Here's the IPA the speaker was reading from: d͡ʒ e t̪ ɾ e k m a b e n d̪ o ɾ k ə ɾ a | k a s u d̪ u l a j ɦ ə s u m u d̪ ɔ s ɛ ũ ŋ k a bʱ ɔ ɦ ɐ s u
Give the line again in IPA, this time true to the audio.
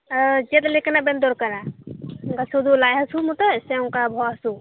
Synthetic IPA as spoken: d͡ʒ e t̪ l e k n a b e n d̪ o ɾ k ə ɾ a | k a s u d̪ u l a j ɦ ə s u m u t̪ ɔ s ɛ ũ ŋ k a bʱ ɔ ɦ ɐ s u